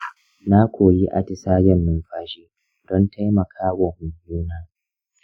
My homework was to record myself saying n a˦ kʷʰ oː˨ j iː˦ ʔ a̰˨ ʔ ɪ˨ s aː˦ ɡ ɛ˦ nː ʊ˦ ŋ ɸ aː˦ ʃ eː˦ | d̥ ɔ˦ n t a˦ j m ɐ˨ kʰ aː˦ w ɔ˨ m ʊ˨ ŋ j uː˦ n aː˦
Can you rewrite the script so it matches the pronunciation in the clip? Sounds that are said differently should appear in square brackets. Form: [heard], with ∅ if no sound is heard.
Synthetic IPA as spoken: n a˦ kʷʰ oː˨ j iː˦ ʔ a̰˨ [t] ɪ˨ s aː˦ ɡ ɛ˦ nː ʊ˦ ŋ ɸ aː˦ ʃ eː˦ | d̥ ɔ˦ n t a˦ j m ɐ˨ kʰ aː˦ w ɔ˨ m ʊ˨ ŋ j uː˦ n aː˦